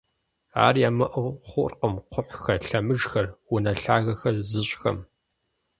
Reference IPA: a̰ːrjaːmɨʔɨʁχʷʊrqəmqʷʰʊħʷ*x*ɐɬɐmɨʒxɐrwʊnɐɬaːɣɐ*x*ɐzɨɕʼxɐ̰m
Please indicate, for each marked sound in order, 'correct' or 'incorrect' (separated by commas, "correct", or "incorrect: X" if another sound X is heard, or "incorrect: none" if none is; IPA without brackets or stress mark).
correct, correct